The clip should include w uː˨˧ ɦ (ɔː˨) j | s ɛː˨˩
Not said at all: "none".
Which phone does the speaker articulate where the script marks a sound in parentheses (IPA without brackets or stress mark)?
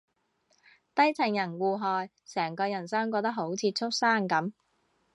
ɔː˨